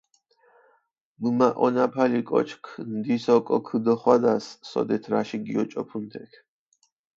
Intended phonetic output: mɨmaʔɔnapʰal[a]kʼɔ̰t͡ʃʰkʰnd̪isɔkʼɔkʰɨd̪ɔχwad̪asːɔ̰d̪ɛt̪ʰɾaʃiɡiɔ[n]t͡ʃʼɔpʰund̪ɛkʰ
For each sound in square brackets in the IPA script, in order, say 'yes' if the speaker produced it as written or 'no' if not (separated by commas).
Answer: no, no